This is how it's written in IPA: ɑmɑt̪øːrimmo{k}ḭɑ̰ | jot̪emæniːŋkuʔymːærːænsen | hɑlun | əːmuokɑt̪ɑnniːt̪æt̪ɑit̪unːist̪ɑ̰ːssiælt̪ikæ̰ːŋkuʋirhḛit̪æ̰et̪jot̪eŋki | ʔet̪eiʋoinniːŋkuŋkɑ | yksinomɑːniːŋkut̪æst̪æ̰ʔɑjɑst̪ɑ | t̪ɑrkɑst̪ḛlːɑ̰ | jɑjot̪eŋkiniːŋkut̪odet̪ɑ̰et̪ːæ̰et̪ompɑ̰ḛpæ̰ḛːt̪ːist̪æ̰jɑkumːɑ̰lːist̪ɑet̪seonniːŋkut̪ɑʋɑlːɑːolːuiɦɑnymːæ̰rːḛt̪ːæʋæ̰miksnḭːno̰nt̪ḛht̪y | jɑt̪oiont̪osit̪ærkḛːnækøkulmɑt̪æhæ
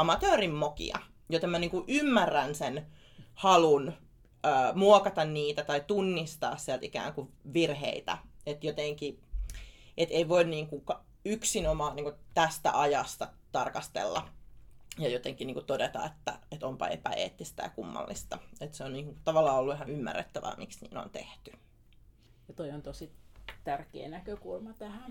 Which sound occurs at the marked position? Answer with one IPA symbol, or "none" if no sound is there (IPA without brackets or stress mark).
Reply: k